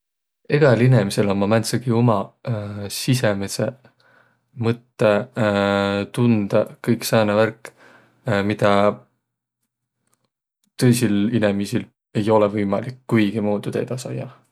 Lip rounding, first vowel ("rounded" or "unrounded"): unrounded